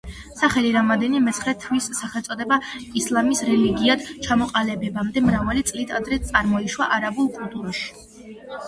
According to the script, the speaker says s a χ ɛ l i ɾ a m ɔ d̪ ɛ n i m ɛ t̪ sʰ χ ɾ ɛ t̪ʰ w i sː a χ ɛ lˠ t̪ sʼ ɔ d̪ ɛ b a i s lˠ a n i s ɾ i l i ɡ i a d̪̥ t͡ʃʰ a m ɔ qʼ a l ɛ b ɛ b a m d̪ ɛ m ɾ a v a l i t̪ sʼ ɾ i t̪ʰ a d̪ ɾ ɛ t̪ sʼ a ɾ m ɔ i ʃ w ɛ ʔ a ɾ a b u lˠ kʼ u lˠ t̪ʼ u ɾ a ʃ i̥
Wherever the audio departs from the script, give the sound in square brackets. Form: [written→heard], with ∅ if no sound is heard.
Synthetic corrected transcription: s a χ ɛ l i ɾ a m ɔ d̪ ɛ n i m ɛ t̪ sʰ χ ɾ ɛ t̪ʰ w i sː a χ ɛ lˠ t̪ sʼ ɔ d̪ ɛ b a i s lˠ a [n→m] i s ɾ [i→ɛ] l i ɡ i a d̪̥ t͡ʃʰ a m ɔ qʼ a l ɛ b ɛ b a m d̪ ɛ m ɾ a v a l i t̪ sʼ [ɾ→l] i t̪ʰ a d̪ ɾ ɛ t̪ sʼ a ɾ m ɔ i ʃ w [ɛ→a] ʔ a ɾ a b u lˠ kʼ u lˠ t̪ʼ u ɾ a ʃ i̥